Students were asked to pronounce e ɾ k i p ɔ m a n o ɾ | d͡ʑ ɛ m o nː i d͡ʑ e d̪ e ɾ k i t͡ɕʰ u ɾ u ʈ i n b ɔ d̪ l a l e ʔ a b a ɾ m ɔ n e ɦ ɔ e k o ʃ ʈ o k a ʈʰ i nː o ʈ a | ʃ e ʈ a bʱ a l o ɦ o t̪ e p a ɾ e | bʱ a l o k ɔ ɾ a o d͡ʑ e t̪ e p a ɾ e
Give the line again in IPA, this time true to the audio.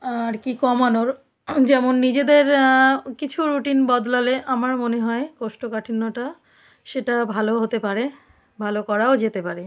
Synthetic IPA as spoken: a ɾ k i k ɔ m a n o ɾ | d͡ʑ ɛ m o nː i d͡ʑ e d̪ e ɾ k i t͡ɕʰ u ɾ u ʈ i n b ɔ d̪ l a l e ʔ a m a ɾ m o n e ɦ ɔ e k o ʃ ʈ o k a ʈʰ i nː o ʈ a | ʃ e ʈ a bʱ a l o ɦ o t̪ e p a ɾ e | bʱ a l o k ɔ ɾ a o d͡ʑ e t̪ e p a ɾ e